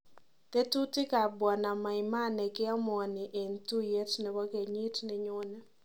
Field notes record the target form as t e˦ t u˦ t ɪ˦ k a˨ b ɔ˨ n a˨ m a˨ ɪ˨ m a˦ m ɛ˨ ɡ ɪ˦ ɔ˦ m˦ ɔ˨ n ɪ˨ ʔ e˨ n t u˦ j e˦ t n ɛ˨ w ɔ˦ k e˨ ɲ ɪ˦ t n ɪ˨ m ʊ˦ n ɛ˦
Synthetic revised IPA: t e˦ t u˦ t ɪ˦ k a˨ b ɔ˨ n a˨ m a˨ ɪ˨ m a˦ n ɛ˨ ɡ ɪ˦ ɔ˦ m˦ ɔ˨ n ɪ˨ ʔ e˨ n t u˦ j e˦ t n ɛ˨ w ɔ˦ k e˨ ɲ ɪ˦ t n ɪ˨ ɲ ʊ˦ n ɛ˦